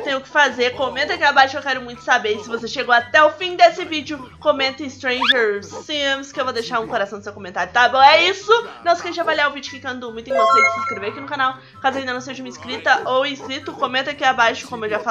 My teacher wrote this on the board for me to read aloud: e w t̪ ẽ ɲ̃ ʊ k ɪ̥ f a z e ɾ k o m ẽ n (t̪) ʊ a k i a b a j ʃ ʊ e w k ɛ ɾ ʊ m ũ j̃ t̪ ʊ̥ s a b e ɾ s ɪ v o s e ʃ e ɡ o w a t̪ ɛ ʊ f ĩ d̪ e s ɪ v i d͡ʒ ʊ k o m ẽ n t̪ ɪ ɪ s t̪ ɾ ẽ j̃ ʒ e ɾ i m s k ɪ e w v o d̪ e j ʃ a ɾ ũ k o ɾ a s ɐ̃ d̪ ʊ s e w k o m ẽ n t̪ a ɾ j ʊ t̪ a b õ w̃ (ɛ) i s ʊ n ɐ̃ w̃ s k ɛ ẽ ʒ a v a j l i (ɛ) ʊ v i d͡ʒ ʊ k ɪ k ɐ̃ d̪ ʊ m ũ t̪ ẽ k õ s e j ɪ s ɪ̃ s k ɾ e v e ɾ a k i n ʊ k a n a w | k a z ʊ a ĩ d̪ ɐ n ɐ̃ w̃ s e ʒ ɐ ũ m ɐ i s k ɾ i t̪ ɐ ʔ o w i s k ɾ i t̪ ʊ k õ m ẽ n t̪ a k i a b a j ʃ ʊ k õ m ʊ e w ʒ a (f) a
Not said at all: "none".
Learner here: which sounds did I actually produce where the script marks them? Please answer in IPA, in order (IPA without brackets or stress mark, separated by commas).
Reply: t̪, ɛ, a, f